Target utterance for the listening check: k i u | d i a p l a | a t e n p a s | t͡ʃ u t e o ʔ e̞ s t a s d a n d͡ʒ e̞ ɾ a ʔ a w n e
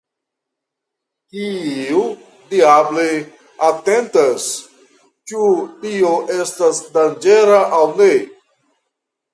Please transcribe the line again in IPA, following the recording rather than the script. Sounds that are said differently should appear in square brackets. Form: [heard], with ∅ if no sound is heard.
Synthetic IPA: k i u | d i a [b] l [e] | a t e n [t] a s | t͡ʃ u t [i] o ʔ e̞ s t a s d a n d͡ʒ e̞ ɾ a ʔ a w n e